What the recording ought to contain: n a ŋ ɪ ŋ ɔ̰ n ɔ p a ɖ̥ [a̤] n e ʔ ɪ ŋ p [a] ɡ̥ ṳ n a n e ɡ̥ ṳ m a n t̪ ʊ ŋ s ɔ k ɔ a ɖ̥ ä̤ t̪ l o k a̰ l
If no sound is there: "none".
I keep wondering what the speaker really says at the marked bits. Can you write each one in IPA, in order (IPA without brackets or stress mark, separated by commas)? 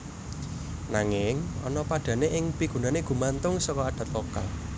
a̤, i